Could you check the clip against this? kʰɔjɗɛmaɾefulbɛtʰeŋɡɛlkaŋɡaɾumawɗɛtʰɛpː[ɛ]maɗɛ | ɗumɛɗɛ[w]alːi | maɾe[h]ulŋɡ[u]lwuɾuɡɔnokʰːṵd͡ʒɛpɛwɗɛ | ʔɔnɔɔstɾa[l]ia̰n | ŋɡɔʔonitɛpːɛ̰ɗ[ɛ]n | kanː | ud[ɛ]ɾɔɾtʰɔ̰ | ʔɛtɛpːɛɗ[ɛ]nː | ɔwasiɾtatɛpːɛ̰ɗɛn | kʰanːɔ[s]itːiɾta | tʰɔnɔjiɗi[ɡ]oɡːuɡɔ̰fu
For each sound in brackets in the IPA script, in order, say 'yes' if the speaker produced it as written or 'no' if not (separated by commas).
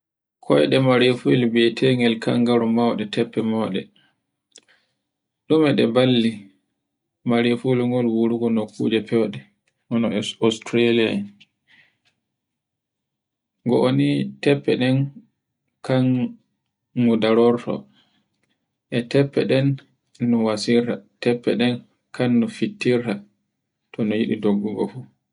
yes, no, no, no, yes, yes, no, yes, no, no